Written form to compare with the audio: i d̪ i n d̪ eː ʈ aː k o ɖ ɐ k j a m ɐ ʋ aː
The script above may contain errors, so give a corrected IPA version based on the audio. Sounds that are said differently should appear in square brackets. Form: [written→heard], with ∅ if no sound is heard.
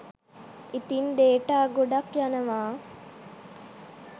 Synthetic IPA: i [d̪→t̪] i n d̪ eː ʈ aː [k→ɡ] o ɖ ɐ k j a [m→n] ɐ ʋ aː